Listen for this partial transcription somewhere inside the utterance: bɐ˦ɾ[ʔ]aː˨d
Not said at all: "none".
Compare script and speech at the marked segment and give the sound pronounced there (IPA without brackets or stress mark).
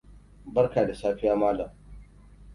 k